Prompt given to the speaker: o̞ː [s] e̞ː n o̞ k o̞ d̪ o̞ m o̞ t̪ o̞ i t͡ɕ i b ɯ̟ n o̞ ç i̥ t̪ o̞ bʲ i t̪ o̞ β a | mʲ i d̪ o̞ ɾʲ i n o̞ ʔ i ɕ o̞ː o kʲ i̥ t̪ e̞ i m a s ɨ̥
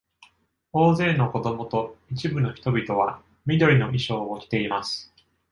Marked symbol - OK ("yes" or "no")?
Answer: no